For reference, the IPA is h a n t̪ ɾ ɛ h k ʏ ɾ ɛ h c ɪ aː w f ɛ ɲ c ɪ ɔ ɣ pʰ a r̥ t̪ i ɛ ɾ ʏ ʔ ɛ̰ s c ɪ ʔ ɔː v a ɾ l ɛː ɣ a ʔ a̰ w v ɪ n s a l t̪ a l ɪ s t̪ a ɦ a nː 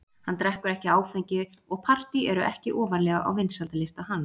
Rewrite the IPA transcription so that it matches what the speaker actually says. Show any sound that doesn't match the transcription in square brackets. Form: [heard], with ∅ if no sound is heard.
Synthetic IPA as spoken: h a n t̪ ɾ ɛ h k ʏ ɾ ɛ h c ɪ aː w f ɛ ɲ c ɪ ɔ ɣ pʰ a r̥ t̪ i ɛ ɾ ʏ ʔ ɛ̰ [h] c ɪ ʔ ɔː v a ɾ l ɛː ɣ a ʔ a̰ w v ɪ n s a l t̪ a l ɪ s t̪ a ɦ a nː